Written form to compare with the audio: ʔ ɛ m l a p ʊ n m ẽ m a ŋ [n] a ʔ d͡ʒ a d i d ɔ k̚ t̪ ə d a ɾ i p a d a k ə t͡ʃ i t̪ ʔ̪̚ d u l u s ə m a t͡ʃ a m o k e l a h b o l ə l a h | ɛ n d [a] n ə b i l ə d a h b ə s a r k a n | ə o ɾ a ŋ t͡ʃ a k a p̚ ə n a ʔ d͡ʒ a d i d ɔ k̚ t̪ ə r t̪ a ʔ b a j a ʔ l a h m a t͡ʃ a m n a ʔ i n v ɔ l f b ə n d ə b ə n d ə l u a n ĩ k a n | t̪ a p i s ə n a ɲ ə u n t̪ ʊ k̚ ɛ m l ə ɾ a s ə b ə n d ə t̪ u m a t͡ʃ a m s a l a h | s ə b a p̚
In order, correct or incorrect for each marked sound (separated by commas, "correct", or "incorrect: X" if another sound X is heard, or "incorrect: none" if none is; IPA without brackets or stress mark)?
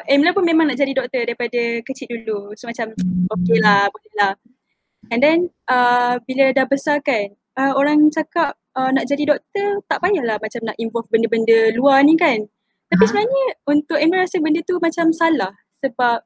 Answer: correct, incorrect: ɛ